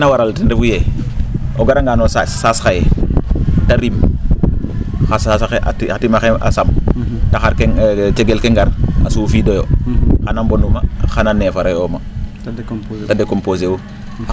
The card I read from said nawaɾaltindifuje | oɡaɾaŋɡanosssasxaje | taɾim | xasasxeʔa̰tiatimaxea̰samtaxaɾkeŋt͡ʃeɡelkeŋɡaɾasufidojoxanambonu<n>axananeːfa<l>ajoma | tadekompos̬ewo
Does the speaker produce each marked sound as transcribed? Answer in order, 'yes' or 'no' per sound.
no, no

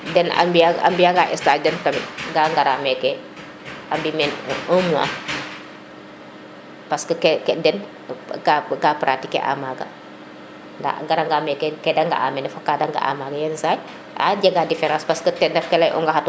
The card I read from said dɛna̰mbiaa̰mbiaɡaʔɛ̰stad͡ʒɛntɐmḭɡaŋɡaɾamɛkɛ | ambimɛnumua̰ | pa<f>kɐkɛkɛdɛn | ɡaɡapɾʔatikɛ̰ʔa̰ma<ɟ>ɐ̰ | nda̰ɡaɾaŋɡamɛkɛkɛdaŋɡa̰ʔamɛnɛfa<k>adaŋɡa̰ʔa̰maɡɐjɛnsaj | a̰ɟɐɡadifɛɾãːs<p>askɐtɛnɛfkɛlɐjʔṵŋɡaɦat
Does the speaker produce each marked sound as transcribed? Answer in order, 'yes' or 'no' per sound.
no, no, yes, yes

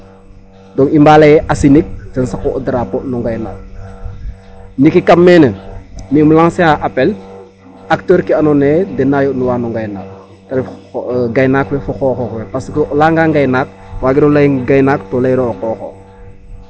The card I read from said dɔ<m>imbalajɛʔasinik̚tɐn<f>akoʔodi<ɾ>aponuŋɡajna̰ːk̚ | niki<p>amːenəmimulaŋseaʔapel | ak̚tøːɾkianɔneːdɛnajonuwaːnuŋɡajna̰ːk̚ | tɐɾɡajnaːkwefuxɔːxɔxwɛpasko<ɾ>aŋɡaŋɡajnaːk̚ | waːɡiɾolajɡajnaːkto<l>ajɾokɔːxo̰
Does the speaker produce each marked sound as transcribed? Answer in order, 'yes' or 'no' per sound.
no, no, yes, no, no, yes

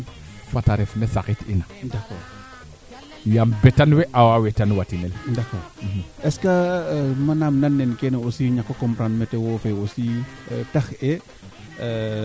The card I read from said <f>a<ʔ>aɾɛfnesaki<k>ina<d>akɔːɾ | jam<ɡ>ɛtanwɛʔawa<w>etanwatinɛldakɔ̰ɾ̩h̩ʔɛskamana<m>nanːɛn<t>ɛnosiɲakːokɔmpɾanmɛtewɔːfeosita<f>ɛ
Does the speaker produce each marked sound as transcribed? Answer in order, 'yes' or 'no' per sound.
yes, no, no, yes, no, yes, yes, no, no

